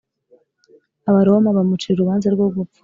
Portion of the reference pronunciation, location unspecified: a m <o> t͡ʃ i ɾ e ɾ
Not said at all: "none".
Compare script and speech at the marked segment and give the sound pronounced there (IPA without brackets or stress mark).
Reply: u